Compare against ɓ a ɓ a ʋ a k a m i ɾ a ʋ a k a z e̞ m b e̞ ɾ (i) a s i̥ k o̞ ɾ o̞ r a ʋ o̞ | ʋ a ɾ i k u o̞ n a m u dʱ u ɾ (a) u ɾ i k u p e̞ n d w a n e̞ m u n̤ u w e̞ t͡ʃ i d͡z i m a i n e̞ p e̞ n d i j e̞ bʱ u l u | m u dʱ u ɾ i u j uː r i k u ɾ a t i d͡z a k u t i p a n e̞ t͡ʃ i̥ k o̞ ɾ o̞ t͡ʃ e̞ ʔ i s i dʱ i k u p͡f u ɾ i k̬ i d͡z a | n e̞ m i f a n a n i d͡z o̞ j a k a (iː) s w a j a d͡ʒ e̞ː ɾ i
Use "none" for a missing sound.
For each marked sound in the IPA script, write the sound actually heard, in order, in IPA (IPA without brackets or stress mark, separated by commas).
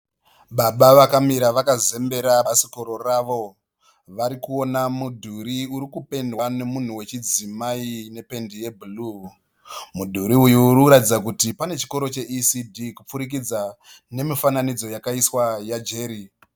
a, i, i